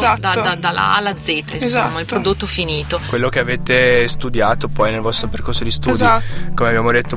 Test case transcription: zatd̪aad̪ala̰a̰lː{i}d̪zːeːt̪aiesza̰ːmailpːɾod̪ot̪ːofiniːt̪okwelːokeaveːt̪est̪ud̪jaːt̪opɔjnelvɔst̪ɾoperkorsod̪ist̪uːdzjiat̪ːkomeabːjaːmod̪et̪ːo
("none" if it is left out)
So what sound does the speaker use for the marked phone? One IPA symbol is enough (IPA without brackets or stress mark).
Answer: a